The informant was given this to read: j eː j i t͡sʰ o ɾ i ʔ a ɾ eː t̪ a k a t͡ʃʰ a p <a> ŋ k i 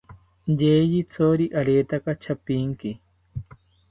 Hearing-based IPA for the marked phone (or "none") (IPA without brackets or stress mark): i